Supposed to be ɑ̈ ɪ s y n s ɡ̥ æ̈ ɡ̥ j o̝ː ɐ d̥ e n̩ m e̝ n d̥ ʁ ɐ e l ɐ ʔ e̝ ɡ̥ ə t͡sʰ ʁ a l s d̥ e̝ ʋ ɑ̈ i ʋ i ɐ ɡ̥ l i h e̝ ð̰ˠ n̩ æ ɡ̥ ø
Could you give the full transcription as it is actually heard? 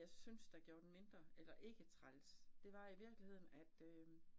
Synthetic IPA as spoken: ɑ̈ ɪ s y n s d̥ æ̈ ɡ̥ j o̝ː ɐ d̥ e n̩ m e̝ n d̥ ʁ ɐ e l ɐ ʔ e̝ ɡ̥ ə t͡sʰ ʁ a l s d̥ e̝ ʋ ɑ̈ i ʋ i ɐ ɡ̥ l i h e̝ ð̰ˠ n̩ æ d̥ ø

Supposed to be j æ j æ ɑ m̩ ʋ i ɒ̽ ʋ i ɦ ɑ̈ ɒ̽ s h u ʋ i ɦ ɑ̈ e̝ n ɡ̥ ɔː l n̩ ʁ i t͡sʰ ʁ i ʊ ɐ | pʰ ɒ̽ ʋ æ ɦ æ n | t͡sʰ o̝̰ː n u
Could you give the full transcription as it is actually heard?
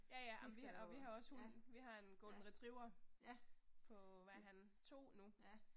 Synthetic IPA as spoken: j æ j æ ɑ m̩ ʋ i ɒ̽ ʋ i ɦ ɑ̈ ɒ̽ s h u ʋ i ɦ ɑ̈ e̝ n ɡ̥ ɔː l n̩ ʁ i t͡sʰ ʁ i ʊ ɐ | pʰ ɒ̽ ʋ æ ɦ æ n | t͡sʰ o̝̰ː n u

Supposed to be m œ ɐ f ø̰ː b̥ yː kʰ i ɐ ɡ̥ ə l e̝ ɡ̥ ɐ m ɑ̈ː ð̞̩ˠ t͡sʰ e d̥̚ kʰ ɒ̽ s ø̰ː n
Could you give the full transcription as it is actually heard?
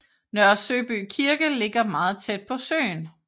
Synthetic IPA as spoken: n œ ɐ s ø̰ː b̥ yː kʰ i ɐ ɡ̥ ə l e̝ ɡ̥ ɐ m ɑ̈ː ð̞̩ˠ t͡sʰ e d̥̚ pʰ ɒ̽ s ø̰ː n

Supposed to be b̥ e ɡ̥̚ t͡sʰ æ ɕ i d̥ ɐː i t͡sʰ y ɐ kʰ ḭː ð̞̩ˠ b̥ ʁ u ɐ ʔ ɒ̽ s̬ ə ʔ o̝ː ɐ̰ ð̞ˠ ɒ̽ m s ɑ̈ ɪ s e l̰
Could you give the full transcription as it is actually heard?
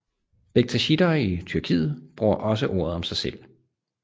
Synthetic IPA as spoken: b̥ e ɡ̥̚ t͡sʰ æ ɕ i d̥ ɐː i t͡sʰ y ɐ kʰ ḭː ð̞̩ˠ b̥ ʁ u ɐ ʔ ɒ̽ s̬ ə ʔ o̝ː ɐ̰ ð̞ˠ ɒ̽ m s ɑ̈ ɪ s e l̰

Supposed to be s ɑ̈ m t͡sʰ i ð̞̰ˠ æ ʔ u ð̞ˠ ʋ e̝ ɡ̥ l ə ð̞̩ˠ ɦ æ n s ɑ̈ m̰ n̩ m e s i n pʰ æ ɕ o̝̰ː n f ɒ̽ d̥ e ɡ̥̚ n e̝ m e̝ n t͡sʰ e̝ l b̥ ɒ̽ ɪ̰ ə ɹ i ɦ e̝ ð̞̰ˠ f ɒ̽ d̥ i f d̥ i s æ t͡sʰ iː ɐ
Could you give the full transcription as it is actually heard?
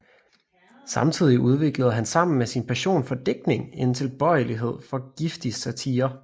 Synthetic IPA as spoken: s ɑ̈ m t͡sʰ i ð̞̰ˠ i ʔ u ð̞ˠ ʋ e̝ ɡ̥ l ə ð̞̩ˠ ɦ æ n s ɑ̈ m̰ n̩ m e s i n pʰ æ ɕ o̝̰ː n f ɒ̽ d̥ e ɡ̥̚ n e̝ ŋ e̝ n t͡sʰ e̝ l b̥ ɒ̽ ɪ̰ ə l i ɦ e̝ ð̞̰ˠ f ɒ̽ ɡ̥ i f d̥ i s æ t͡sʰ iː ɐ

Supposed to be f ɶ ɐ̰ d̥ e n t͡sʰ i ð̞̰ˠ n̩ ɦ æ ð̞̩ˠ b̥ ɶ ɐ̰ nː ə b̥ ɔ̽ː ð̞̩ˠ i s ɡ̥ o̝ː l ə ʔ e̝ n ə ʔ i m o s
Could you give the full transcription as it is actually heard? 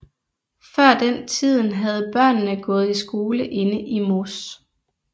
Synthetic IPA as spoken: f ɶ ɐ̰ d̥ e n t͡sʰ i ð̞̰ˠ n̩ ɦ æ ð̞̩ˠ b̥ ɶ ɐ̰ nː ə ɡ̥ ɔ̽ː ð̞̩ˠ i s ɡ̥ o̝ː l ə ʔ e̝ n ə ʔ i m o s

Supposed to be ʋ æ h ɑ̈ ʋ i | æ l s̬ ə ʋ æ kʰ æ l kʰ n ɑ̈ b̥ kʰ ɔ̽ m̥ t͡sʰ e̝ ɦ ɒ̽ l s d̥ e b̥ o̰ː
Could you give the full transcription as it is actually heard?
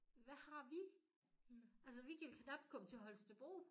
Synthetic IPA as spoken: ʋ æ h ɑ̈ ʋ i | æ l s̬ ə ʋ i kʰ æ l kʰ n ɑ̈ b̥ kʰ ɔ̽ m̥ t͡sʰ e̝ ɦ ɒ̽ l s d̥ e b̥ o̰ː

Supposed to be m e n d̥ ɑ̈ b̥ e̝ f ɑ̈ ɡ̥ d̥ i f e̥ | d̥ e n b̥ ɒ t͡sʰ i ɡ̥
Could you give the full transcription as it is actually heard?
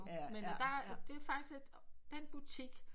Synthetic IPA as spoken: m e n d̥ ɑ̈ d̥ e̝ f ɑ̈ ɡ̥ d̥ i s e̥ | d̥ e n b̥ u t͡sʰ i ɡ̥

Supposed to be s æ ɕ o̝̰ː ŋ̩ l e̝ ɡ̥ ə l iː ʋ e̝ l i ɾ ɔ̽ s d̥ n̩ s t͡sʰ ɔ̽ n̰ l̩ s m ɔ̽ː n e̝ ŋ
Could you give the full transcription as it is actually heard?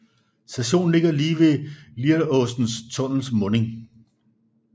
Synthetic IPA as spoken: s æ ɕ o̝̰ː n̩ l e̝ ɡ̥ ɐ l iː ʋ e̝ l i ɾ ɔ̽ s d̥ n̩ s t͡sʰ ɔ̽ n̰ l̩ s m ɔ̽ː n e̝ ŋ

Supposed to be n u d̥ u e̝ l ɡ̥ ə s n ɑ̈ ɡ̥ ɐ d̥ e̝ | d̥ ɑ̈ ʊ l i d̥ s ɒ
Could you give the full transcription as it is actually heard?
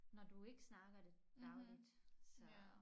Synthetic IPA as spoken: n ɒ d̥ u e̝ ɡ̥ ə s n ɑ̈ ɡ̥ ɐ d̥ e̝ | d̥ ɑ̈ ʊ l i d̥ s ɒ

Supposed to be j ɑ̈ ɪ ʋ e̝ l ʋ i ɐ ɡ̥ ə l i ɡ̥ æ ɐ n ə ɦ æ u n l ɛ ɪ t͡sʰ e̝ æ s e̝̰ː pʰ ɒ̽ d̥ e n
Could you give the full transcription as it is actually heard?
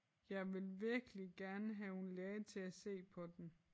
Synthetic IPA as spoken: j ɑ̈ ɪ ʋ e̝ l ʋ i ɐ ɡ̥ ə l i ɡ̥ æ ɐ n ə ɦ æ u n l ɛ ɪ t͡sʰ e̝ æ s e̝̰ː pʰ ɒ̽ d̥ e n

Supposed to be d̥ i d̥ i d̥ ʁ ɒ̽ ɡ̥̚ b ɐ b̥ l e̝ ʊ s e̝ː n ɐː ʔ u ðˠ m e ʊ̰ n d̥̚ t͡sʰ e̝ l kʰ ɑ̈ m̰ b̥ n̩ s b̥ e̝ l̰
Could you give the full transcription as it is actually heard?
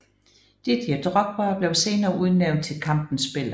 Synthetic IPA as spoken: d̥ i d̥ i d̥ ʁ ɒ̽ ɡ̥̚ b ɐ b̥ l e̝ ʊ s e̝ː n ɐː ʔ u ðˠ n e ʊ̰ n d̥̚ t͡sʰ e̝ l kʰ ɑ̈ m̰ b̥ n̩ s b̥ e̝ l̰

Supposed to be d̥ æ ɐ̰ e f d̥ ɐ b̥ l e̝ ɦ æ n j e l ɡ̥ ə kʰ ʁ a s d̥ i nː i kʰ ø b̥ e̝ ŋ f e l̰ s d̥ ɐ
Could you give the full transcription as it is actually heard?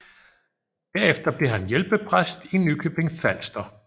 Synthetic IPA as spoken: d̥ æ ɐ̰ e f d̥ ɐ b̥ l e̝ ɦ æ n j e l b̥ ə pʰ ʁ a s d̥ i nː y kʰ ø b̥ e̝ ŋ f æ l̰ s d̥ ɐ

